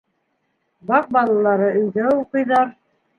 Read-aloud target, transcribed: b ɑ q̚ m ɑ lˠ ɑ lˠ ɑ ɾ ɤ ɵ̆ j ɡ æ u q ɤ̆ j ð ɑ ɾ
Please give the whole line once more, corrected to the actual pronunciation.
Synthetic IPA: b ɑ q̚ b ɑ lˠ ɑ lˠ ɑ ɾ ɤ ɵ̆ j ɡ æ u q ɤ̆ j ð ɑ ɾ